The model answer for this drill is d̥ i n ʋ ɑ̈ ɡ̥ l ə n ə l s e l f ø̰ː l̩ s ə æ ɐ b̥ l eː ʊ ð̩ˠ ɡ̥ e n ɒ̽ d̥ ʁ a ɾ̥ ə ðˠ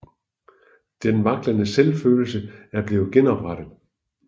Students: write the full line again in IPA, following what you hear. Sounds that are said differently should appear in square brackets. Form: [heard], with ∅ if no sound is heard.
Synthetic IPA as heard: d̥ [e] n ʋ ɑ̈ ɡ̥ l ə n ə [∅] s e l f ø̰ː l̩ s ə æ ɐ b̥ l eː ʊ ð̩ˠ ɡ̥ e n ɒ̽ [b̥] ʁ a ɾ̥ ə ðˠ

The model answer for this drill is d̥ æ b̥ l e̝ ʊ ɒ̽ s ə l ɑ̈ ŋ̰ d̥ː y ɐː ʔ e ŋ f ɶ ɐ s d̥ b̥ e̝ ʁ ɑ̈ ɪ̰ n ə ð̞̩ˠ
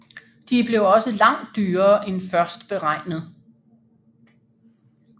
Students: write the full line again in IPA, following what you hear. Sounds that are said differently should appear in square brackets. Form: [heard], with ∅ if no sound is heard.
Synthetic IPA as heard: d̥ [i] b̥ l e̝ ʊ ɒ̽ s ə l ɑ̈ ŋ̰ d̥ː [yː] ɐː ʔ e [n] f ɶ ɐ s d̥ b̥ e̝ ʁ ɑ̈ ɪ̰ n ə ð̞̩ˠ

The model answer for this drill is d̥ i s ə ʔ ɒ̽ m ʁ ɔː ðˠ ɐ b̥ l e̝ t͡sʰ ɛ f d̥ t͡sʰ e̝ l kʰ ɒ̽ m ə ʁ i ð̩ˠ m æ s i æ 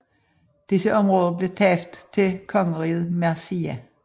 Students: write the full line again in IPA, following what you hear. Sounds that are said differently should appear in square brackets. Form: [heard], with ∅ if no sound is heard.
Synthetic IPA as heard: d̥ i s ə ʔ ɒ̽ m ʁ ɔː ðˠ ɐ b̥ l e̝ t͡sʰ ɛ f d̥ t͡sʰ e̝ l kʰ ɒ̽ [ŋ] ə ʁ i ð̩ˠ m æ s i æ

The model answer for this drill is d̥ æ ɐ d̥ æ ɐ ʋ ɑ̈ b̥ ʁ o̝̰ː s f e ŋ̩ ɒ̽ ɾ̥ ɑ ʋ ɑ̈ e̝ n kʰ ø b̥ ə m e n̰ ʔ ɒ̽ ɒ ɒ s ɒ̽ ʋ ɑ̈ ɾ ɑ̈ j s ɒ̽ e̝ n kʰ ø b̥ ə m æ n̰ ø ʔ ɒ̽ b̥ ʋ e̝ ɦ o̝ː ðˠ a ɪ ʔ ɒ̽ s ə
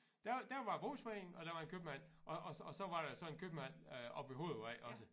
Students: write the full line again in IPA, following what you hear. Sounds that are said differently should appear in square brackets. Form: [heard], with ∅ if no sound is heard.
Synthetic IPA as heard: d̥ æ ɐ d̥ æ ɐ ʋ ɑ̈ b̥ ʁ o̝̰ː s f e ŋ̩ ɒ̽ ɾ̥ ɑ ʋ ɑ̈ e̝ n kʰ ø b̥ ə m [æ] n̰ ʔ ɒ̽ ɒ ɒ s ɒ̽ ʋ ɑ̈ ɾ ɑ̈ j s ɒ̽ e̝ n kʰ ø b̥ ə m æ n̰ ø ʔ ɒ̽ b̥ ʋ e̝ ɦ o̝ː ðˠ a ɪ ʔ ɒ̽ s ə

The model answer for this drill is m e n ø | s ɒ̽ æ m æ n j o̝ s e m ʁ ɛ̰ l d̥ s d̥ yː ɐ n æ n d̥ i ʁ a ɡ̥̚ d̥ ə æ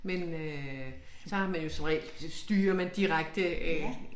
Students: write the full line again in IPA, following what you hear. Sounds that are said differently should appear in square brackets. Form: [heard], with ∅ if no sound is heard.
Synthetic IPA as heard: m e n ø | s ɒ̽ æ m æ n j o̝ s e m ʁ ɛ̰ l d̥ s d̥ yː ɐ [m] æ n d̥ i ʁ a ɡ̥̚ d̥ ə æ

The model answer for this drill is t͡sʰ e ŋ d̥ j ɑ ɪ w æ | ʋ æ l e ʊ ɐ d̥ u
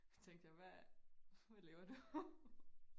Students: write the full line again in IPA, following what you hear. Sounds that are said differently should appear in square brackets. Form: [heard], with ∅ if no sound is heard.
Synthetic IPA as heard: t͡sʰ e ŋ d̥ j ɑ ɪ [ʋ] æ | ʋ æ l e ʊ ɐ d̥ u

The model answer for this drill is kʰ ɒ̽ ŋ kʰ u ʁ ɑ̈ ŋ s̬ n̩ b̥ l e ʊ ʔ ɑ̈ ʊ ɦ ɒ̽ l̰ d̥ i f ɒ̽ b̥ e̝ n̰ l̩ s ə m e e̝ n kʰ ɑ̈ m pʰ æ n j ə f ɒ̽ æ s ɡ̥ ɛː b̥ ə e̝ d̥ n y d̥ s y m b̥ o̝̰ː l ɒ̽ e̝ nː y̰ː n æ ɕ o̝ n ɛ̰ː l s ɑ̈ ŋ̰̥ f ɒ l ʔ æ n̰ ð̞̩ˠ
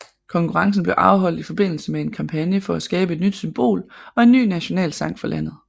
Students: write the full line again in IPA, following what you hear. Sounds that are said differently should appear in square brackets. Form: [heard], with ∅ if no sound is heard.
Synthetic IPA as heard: kʰ ɒ̽ ŋ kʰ u ʁ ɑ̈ ŋ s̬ n̩ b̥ l e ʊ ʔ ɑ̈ ʊ ɦ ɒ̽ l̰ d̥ i f ɒ̽ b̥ e̝ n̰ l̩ s ə m e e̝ n kʰ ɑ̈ m pʰ æ n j ə f ɒ̽ æ s ɡ̥ ɛː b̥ ə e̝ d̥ n y d̥ s y m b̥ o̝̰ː l ɒ̽ e̝ nː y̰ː n æ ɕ o̝ n ɛ̰ː l s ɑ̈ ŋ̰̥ f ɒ l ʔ æ n̰ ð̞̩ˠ

